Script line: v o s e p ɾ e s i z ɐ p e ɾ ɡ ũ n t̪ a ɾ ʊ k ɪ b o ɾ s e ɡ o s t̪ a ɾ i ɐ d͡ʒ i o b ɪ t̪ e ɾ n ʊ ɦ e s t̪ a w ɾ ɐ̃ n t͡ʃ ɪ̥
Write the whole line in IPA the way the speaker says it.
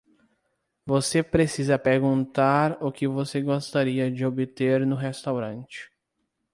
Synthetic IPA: v o s e p ɾ e s i z ɐ p e ɾ ɡ ũ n t̪ a ɾ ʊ k ɪ v o s e ɡ o s t̪ a ɾ i ɐ d͡ʒ ɪ o b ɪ t̪ e ɾ n ʊ ɦ e s t̪ a w ɾ ɐ̃ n t͡ʃ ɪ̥